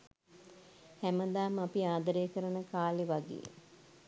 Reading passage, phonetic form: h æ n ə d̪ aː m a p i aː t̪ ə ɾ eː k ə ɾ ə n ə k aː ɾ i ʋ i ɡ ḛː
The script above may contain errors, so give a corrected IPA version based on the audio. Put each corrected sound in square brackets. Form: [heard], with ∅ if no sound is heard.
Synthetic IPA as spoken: h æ [m] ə d̪ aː m a p i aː [d̪] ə ɾ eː k ə ɾ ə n ə k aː [l] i ʋ [a] ɡ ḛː